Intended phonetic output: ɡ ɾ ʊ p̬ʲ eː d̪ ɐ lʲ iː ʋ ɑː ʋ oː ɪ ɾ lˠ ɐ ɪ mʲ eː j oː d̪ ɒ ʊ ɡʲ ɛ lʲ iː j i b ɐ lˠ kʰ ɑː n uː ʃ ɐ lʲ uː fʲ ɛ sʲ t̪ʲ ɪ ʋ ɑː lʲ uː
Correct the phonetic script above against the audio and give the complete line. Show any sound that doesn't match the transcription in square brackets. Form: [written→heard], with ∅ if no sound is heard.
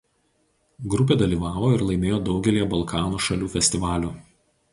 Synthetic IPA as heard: ɡ ɾ ʊ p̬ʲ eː d̪ ɐ lʲ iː ʋ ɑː ʋ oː ɪ ɾ lˠ ɐ ɪ mʲ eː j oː d̪ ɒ ʊ ɡʲ ɛ lʲ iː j [i→ɛ] b ɐ lˠ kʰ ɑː n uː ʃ ɐ lʲ uː fʲ ɛ sʲ t̪ʲ ɪ ʋ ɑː lʲ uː